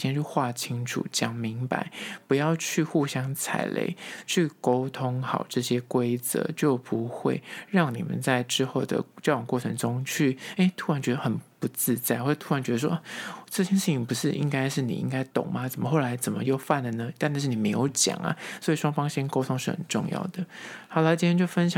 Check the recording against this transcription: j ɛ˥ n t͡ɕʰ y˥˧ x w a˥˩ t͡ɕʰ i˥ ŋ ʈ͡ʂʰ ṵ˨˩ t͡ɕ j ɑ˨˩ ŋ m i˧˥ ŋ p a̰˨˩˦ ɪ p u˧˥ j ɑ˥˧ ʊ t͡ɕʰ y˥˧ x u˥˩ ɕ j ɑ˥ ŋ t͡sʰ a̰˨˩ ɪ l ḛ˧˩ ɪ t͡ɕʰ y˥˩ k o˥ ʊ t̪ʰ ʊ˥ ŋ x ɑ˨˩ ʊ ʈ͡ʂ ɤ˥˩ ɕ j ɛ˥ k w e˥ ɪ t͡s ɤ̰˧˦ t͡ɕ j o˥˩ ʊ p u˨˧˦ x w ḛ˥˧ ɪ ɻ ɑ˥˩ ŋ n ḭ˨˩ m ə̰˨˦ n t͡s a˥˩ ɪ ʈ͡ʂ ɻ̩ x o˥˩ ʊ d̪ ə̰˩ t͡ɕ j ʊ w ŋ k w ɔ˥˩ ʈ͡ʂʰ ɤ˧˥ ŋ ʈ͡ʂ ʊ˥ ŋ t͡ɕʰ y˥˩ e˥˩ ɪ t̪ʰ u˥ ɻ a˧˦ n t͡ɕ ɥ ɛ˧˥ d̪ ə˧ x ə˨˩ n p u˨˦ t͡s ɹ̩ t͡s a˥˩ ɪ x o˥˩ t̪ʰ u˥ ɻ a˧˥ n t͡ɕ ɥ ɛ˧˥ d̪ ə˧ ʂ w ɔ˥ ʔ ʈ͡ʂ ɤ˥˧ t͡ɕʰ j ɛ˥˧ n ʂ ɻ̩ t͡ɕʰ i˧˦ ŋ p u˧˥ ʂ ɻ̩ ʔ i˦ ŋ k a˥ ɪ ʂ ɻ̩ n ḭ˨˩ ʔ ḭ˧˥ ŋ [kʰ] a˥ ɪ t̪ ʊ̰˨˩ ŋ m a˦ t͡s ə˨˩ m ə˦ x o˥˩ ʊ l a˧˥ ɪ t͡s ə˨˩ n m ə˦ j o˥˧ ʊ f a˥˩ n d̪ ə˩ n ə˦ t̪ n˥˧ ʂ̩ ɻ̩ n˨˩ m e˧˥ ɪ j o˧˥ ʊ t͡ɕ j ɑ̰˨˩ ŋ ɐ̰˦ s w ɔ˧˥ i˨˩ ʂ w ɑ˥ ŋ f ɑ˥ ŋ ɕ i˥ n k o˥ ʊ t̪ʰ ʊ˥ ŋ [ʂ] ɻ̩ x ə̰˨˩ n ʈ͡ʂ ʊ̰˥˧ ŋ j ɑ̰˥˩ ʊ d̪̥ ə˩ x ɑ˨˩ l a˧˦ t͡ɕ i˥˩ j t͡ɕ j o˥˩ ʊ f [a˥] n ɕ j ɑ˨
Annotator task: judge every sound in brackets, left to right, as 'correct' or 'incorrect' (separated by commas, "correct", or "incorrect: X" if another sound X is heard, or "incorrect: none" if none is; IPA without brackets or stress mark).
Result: incorrect: k, correct, incorrect: ə˥